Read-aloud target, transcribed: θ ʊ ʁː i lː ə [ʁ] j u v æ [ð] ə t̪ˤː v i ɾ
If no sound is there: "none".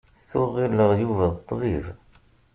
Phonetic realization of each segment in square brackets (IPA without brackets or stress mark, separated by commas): ʁ, ð